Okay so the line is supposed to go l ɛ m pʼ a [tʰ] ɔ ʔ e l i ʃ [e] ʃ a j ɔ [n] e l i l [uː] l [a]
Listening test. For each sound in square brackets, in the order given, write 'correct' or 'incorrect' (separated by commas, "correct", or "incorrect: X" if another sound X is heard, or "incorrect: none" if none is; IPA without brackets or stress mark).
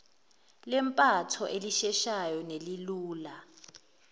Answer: correct, incorrect: ɛ, correct, correct, correct